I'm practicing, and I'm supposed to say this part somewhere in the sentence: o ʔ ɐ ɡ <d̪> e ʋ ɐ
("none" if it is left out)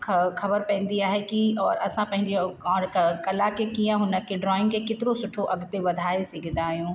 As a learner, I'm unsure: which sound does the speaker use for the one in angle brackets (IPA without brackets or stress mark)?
t̪